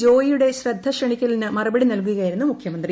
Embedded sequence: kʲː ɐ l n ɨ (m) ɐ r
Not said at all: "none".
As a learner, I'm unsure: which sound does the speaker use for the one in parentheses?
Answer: m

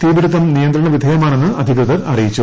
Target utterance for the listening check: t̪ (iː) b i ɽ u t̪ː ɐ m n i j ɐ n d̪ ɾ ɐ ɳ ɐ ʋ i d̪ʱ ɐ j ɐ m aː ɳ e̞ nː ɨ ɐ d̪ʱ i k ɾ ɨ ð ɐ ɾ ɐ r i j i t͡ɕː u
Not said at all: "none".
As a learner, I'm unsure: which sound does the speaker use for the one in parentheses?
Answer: iː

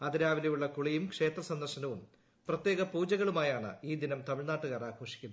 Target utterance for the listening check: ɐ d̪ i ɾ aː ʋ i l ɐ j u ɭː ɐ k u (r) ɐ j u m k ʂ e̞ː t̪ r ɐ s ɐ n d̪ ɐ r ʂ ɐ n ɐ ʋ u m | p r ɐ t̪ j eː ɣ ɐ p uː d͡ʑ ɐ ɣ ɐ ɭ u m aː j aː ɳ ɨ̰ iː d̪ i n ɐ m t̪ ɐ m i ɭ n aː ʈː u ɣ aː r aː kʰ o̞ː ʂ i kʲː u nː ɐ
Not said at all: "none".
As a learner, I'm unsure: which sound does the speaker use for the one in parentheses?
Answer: ɭ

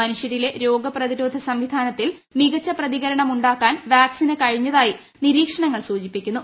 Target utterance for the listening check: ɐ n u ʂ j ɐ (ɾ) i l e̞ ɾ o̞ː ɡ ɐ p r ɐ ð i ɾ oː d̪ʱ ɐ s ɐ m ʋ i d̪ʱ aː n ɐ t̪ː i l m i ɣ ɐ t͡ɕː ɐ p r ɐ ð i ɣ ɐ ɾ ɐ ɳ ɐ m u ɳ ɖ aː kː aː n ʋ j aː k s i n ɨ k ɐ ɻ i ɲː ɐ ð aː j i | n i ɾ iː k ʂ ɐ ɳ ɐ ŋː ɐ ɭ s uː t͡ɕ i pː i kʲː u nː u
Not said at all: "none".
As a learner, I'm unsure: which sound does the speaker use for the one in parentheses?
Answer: ɾ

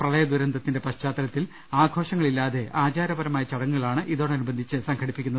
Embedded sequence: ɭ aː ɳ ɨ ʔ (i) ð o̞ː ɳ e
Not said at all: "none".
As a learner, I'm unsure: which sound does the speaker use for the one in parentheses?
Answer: i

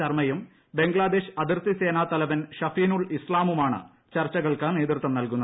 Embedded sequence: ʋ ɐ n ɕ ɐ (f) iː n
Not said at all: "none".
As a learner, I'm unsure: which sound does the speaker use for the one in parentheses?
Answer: f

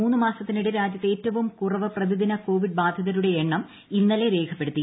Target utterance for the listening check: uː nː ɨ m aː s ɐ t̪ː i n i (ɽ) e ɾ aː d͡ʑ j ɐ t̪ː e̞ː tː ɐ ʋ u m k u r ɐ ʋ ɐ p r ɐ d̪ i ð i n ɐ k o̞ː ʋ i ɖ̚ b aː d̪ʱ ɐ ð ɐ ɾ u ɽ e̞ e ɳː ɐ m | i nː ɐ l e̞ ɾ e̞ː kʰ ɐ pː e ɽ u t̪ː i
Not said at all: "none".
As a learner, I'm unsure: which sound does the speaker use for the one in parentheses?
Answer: ɽ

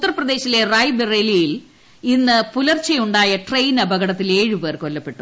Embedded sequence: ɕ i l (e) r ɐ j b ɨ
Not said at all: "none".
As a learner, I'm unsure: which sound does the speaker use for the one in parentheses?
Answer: e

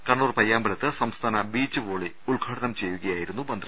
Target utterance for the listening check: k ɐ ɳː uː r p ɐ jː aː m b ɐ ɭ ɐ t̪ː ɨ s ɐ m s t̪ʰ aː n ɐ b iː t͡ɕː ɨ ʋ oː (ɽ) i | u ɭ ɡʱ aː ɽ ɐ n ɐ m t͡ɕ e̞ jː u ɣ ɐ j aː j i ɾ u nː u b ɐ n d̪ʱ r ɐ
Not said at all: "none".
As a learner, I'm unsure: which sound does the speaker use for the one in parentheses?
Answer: ɭ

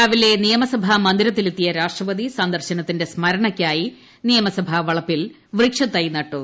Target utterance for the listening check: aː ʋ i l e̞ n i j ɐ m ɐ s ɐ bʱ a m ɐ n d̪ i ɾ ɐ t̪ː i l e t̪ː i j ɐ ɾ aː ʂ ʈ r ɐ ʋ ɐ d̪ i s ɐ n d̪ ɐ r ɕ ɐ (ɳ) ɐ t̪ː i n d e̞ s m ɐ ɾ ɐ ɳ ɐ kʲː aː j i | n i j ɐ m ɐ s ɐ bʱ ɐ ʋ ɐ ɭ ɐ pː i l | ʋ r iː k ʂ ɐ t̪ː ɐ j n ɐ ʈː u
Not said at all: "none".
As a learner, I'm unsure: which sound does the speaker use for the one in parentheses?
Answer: n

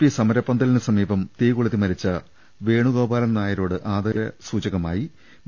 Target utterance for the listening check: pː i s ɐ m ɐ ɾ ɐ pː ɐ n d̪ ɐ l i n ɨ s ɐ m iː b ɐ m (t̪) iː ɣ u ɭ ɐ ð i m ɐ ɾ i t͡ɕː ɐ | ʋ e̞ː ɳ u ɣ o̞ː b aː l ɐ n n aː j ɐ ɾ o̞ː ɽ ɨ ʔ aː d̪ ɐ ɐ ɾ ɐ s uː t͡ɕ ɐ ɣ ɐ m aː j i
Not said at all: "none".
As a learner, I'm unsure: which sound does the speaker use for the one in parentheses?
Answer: t̪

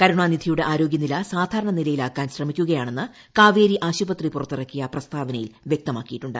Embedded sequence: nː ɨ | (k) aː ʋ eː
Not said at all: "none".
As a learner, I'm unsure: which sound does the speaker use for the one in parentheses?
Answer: k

